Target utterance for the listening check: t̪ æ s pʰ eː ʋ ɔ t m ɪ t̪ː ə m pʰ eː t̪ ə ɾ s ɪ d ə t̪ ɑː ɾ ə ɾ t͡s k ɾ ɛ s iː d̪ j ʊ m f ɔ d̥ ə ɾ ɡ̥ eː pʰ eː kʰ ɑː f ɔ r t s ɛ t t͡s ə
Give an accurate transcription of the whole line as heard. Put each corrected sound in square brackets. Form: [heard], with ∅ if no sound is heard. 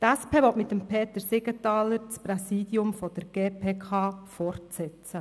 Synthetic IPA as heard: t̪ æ s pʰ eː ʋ ɔ t m ɪ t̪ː ə m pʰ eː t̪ ə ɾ s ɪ [ɡ] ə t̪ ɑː [l] ə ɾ t͡s [p] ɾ ɛ s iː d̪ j ʊ m f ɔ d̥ ə ɾ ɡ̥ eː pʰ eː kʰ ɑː f ɔ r t s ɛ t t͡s ə